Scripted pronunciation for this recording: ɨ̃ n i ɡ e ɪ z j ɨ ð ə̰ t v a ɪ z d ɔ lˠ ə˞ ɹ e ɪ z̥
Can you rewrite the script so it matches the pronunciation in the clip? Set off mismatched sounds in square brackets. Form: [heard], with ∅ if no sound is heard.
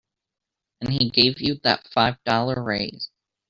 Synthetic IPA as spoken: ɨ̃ n i ɡ e ɪ [v] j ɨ ð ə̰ t [f] a ɪ [v] d ɔ lˠ ə˞ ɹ e ɪ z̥